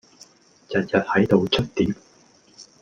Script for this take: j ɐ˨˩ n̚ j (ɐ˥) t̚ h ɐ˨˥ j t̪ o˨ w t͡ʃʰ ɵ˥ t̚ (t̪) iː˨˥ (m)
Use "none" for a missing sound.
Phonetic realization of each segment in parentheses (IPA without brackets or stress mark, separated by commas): ɐ˨, t̪, m